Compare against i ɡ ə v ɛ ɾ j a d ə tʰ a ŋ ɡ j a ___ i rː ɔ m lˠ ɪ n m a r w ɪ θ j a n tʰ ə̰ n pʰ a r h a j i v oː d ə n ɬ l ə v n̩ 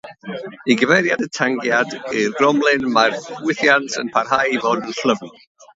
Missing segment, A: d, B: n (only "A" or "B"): A